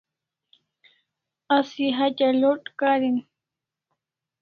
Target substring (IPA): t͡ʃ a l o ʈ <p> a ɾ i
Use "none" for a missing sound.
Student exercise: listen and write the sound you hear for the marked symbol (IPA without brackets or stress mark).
k